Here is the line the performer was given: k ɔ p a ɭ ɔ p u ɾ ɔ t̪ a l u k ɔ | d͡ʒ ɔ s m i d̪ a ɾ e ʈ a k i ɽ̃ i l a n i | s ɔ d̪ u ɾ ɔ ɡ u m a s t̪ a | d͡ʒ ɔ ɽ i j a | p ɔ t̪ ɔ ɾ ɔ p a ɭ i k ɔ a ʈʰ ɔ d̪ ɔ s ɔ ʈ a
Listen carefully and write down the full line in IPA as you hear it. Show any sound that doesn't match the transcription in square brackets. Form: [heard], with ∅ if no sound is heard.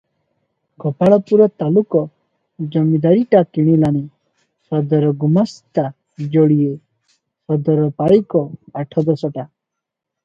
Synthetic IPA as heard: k ɔ p a ɭ ɔ p u ɾ ɔ t̪ a l u k ɔ | d͡ʒ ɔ [∅] m i d̪ a ɾ [i] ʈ a k i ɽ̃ i l a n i | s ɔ d̪ [ɔ] ɾ ɔ ɡ u m a s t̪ a | d͡ʒ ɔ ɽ i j [e] | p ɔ [d̪] ɔ ɾ ɔ p a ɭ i k ɔ a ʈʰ ɔ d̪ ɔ s ɔ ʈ a